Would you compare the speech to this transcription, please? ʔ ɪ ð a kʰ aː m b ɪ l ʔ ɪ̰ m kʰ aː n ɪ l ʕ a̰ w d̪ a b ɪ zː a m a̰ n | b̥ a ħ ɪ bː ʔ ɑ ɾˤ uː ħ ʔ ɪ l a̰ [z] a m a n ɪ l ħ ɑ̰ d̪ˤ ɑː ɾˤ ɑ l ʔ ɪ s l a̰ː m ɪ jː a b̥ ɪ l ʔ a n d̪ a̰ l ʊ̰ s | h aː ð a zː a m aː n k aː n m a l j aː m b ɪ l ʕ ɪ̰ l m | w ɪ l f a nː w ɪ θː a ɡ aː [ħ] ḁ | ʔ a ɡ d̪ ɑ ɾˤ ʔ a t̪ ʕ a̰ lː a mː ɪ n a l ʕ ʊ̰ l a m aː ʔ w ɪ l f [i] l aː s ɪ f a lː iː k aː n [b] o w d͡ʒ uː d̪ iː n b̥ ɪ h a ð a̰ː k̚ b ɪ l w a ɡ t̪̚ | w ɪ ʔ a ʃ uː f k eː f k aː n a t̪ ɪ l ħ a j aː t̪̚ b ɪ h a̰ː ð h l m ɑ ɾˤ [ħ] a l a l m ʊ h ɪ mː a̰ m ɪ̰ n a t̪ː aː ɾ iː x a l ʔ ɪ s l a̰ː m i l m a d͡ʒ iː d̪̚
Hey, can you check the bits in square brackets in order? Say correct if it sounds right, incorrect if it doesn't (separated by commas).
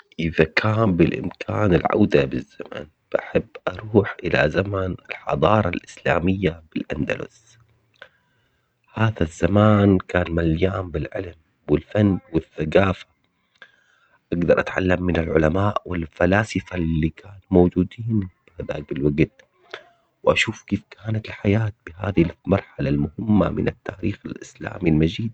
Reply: correct, incorrect, incorrect, incorrect, correct